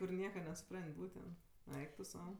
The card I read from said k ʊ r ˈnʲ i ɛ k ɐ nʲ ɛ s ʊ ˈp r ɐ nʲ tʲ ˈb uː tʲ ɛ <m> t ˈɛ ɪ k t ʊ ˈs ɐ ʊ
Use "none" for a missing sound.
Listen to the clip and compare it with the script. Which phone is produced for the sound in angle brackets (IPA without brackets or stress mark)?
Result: n